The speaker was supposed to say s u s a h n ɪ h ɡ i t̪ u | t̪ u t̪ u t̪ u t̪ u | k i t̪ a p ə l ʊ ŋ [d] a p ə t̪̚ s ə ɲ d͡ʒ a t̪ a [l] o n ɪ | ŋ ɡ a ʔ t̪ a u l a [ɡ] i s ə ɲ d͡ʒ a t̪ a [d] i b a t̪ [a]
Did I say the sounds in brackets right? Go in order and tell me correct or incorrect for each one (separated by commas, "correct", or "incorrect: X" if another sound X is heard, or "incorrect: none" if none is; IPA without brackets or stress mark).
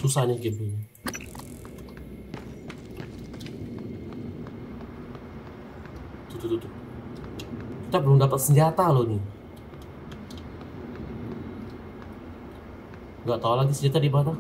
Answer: correct, correct, correct, correct, correct